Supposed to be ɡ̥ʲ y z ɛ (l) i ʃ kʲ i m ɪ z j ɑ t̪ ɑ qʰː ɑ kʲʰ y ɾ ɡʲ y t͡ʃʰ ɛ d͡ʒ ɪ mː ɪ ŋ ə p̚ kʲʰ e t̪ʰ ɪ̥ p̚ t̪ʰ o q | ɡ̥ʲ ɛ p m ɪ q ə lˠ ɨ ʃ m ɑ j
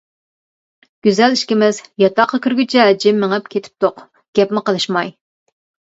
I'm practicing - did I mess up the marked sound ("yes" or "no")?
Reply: no